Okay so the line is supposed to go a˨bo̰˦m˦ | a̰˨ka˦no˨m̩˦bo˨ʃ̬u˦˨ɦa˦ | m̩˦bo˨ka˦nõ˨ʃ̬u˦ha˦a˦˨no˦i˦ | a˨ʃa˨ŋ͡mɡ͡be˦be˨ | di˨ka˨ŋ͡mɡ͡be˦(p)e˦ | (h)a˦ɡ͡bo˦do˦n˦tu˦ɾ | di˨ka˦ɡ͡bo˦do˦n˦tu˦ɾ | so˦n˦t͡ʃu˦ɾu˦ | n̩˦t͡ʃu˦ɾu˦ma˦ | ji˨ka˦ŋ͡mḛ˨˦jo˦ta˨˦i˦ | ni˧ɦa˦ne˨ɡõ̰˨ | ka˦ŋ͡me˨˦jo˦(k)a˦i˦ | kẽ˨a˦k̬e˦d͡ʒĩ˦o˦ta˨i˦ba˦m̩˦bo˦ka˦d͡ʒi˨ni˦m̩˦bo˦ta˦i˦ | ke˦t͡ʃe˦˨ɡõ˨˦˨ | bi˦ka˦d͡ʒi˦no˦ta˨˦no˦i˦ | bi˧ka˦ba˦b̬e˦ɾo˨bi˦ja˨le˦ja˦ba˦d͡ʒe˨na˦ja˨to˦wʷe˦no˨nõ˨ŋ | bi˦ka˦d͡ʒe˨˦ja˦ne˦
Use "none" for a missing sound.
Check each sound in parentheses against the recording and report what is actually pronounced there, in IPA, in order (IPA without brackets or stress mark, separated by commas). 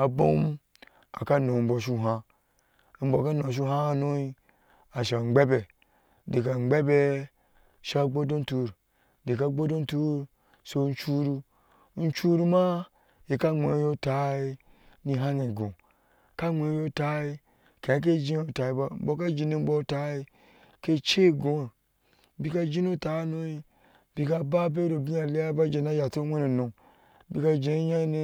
b, ʃ, t